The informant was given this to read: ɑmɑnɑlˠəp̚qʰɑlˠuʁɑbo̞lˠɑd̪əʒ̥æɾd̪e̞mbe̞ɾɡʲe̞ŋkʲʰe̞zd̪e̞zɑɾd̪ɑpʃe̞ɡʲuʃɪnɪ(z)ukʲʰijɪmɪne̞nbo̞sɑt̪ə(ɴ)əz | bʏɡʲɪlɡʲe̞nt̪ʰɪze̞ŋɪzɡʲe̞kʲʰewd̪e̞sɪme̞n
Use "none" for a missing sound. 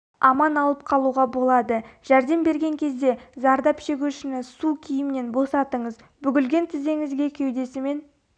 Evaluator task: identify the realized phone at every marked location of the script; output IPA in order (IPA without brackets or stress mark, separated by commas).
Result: s, ɴ